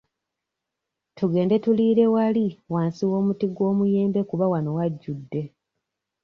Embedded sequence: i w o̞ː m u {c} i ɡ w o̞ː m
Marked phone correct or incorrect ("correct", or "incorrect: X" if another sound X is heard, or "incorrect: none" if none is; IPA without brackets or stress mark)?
incorrect: t